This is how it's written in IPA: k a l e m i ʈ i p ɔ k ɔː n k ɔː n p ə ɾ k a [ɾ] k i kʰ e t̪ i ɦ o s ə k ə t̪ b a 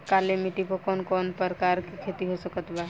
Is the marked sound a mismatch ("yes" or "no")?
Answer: no